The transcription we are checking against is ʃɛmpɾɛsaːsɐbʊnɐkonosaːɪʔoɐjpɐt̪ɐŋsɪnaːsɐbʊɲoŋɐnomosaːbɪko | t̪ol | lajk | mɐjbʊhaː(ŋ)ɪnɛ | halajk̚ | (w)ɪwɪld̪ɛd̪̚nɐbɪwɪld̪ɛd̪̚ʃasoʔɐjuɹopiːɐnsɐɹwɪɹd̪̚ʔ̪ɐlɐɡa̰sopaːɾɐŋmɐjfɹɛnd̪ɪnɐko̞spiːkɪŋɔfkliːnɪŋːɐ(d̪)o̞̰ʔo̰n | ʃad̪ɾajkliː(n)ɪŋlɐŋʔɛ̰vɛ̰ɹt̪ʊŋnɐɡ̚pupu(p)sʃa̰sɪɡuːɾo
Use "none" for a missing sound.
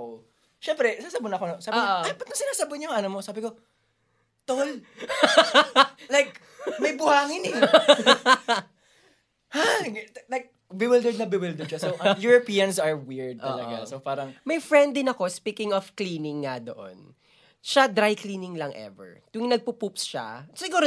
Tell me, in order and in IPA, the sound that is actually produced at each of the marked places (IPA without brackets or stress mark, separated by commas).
ŋ, b, d̪, n, p